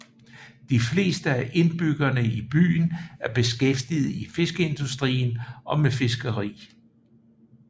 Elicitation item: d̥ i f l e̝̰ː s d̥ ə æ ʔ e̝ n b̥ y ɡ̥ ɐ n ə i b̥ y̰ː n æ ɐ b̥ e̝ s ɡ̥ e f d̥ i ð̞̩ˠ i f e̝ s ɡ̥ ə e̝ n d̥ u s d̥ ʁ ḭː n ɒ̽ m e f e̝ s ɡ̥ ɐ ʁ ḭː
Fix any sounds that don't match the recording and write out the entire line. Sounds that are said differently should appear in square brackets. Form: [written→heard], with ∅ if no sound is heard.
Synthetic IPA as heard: d̥ i f l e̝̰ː s d̥ ə æ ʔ e̝ n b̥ y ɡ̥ ɐ n ə i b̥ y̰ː n æ ɐ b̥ e̝ s ɡ̥ e f d̥ i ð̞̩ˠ i f e̝ s ɡ̥ ə e̝ n d̥ u s d̥ ʁ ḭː n ɒ̽ m e f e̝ s ɡ̥ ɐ ʁ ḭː